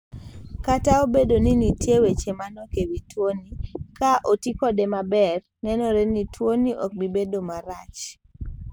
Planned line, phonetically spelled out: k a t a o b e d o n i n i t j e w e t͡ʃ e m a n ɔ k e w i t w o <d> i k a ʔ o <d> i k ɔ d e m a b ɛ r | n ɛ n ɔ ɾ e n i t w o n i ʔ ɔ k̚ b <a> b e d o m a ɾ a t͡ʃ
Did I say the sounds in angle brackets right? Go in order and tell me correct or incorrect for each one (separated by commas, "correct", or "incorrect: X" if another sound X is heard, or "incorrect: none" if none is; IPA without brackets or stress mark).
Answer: incorrect: n, incorrect: t, incorrect: i